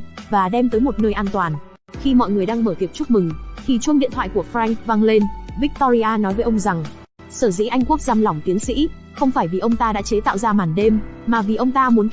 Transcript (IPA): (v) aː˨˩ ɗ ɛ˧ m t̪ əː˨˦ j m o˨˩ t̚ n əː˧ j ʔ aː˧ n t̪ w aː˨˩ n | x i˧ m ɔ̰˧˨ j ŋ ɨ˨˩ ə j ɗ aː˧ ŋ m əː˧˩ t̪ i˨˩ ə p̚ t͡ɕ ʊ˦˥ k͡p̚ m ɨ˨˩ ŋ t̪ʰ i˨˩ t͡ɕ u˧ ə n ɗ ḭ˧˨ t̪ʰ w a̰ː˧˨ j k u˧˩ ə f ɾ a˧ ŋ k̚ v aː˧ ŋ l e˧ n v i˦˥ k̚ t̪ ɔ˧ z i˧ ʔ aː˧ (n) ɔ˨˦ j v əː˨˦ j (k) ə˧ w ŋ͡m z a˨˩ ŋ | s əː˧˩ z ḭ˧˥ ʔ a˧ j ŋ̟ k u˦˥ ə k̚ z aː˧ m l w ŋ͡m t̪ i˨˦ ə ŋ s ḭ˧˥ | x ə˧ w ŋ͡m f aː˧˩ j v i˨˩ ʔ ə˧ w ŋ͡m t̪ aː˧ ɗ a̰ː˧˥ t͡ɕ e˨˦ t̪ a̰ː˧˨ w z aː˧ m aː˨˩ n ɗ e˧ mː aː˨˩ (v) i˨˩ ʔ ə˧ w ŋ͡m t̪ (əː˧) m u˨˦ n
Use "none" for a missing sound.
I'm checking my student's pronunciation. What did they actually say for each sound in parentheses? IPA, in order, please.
v, n, ʔ, v, aː˧

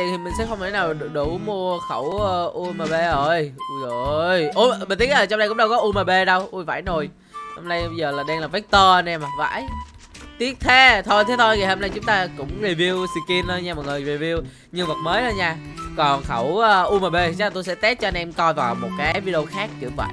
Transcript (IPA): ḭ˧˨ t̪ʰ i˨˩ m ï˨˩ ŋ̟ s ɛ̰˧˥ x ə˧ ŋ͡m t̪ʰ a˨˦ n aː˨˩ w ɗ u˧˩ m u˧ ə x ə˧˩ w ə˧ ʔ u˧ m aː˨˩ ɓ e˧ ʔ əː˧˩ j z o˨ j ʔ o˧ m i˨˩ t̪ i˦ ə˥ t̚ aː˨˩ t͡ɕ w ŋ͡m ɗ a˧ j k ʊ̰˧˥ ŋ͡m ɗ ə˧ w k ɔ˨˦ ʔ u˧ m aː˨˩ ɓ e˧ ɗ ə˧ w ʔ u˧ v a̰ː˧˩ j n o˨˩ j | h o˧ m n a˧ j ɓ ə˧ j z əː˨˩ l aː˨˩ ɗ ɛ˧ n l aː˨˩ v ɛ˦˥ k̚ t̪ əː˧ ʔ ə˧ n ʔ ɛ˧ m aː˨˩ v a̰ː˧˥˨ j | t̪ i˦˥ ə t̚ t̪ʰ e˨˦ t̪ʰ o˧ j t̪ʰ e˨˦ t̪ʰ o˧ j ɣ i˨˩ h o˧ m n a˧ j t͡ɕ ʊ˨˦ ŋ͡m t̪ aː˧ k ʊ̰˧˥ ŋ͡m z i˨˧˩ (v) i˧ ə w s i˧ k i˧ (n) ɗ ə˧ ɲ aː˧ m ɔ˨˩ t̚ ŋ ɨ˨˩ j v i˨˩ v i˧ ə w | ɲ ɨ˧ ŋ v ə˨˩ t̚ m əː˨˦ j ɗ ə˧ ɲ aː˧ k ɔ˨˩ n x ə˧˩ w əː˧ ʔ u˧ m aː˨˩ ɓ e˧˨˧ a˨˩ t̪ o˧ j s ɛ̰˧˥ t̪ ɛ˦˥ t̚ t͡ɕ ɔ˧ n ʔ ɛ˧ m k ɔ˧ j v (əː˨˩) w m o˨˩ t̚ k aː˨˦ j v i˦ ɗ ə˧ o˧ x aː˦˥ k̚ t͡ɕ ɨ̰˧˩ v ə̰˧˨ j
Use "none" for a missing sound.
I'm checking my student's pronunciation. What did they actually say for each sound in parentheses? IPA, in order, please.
v, n, aː˨˩

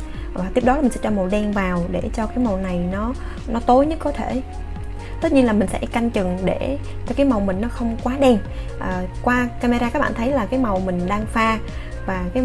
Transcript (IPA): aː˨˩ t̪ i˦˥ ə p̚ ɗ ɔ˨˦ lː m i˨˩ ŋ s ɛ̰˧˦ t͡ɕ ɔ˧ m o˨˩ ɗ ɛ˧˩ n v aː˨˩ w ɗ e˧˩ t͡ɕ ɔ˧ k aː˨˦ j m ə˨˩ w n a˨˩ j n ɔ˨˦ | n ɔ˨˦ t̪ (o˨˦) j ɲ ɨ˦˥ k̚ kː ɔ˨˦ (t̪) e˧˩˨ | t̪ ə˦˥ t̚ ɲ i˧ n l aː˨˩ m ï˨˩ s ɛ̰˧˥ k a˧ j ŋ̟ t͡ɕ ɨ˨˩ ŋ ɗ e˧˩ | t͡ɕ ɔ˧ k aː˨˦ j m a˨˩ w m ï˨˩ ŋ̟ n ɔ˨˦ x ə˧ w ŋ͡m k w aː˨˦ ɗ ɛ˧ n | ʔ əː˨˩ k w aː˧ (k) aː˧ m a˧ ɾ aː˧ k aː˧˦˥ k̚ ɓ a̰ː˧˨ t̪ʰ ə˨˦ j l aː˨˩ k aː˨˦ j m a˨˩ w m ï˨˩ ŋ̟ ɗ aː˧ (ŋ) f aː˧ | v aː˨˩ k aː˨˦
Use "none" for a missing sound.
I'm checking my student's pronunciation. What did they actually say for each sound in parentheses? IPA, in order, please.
o˨˦, t̪ʰ, k, ŋ

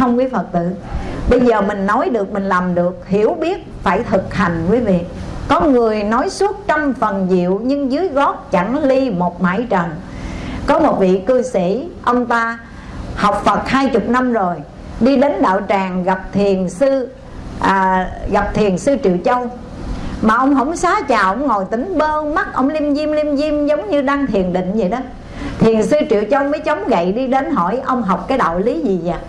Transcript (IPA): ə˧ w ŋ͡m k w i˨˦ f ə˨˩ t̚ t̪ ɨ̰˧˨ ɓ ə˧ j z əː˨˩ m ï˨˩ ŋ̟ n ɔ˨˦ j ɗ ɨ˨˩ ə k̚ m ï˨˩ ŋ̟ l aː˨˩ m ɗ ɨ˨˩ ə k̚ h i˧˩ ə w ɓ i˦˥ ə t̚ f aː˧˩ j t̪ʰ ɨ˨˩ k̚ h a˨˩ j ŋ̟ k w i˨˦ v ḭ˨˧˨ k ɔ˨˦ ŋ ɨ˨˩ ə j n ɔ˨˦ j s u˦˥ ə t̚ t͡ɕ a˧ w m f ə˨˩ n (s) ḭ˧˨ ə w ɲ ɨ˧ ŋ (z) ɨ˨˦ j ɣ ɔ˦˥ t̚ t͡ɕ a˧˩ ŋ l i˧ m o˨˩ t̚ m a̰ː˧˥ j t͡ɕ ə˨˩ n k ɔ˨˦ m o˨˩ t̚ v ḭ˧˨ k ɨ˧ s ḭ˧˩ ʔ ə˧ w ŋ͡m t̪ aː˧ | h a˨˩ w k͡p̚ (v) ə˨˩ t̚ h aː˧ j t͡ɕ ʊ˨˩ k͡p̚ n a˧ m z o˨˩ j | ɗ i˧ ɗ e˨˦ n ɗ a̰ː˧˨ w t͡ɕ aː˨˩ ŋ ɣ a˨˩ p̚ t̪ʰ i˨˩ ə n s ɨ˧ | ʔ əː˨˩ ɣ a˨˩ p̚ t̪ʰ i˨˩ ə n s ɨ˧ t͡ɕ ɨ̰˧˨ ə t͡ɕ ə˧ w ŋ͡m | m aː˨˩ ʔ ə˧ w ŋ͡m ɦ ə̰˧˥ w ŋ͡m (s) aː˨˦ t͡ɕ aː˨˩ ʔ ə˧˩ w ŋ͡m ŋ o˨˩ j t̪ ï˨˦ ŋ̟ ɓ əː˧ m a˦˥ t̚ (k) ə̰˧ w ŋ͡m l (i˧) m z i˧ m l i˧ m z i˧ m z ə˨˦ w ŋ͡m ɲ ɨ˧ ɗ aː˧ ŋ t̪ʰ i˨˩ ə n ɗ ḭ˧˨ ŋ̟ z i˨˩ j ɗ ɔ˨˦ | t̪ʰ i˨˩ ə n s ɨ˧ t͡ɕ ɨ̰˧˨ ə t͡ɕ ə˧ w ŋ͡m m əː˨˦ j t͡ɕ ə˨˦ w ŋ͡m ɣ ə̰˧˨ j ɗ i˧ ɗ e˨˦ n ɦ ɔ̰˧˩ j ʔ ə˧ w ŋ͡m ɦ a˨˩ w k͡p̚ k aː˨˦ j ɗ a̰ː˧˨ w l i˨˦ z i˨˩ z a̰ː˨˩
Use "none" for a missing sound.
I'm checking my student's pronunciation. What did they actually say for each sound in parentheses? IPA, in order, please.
z, z, f, s, ʔ, i˧

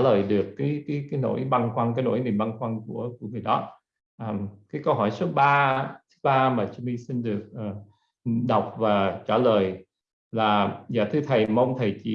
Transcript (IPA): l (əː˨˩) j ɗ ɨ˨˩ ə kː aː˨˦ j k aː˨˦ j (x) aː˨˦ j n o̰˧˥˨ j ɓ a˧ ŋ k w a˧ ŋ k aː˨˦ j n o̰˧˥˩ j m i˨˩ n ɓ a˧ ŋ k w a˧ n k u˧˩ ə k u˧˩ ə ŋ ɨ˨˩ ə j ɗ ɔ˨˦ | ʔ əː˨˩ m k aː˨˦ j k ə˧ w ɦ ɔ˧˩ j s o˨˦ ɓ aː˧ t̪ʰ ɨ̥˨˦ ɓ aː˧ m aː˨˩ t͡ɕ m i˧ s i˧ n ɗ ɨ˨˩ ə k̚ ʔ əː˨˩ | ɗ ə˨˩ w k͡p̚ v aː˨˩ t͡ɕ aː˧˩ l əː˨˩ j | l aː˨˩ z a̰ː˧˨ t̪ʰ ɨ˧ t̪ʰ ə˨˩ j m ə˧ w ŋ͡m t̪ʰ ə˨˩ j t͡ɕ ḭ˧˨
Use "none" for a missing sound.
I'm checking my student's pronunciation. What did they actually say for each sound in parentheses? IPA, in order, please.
əː˨˩, k

